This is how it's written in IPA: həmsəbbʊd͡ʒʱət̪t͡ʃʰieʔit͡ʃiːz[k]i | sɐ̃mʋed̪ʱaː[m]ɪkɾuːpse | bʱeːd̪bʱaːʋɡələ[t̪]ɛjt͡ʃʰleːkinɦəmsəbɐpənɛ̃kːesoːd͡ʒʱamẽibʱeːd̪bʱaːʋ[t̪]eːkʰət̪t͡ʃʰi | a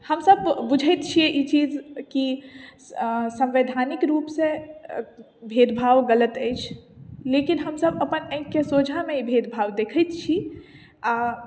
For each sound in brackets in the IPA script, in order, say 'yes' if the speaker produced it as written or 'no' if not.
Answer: yes, no, yes, no

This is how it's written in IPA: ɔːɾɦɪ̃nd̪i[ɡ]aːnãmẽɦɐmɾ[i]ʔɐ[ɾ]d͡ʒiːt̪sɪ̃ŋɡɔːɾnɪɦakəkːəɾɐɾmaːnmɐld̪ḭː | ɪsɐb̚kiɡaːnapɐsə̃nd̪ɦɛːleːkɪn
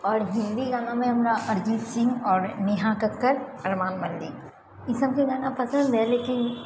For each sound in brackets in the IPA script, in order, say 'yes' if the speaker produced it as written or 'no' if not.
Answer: yes, no, yes

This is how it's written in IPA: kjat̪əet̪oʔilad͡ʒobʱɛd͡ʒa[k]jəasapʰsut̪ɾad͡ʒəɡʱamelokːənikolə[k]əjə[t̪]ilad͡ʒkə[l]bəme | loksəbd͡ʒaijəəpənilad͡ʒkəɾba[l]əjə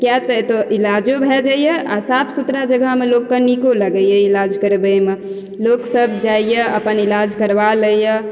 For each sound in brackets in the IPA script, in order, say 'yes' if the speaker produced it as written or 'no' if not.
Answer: no, no, no, no, yes

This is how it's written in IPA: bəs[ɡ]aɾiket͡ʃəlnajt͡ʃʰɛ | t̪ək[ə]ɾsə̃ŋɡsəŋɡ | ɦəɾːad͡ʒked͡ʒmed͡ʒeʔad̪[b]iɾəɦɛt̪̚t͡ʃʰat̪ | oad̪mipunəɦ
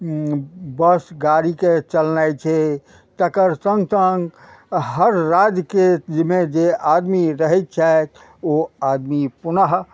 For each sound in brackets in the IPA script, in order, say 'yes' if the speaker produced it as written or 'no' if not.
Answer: yes, yes, no

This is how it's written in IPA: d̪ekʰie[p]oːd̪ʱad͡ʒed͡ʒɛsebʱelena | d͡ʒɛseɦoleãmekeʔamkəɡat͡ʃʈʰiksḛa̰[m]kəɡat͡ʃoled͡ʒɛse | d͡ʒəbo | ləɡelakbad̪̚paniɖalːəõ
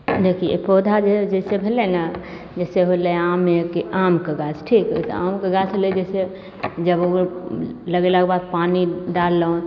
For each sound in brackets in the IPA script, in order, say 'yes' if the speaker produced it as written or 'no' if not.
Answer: yes, yes

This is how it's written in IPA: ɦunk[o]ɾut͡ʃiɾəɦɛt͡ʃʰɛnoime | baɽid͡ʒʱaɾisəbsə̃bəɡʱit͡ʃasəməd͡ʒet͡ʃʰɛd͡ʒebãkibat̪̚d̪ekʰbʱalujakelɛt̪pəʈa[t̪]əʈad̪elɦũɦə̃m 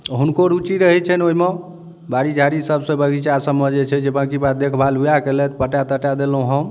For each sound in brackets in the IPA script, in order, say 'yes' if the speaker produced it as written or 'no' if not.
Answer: yes, yes

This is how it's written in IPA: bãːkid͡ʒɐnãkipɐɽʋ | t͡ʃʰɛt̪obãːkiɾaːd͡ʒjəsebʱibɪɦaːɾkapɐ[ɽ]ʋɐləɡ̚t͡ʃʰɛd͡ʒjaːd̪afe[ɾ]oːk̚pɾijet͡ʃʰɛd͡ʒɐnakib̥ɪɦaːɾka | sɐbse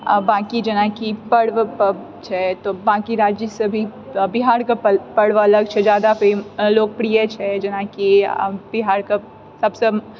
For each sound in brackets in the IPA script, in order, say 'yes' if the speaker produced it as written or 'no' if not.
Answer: yes, no

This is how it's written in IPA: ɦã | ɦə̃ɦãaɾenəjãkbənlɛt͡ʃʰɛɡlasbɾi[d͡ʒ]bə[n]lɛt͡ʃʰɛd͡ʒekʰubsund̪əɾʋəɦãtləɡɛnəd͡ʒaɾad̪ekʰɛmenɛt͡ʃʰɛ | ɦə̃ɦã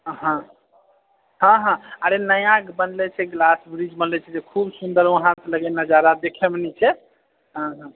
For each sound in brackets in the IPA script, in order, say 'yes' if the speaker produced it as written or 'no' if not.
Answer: yes, yes

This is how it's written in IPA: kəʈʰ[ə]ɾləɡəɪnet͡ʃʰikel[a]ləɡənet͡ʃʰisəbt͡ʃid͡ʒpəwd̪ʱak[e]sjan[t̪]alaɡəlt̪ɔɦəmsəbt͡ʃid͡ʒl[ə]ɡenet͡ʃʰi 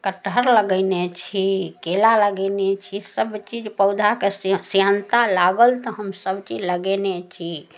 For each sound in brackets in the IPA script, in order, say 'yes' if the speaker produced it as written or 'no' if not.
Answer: yes, yes, yes, yes, yes

